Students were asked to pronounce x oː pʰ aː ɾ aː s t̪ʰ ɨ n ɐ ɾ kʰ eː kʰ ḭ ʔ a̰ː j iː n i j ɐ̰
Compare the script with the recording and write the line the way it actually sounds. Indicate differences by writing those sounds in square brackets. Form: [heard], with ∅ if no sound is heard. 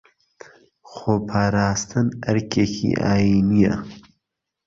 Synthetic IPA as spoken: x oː pʰ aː ɾ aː s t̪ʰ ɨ n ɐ ɾ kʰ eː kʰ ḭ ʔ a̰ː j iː n i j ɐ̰